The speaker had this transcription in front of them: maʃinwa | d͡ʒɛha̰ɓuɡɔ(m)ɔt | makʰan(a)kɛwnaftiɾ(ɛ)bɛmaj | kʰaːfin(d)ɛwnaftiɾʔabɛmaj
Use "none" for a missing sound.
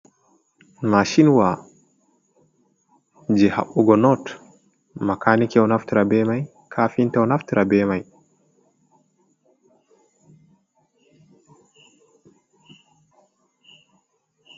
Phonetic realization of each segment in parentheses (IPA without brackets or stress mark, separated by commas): n, i, a, t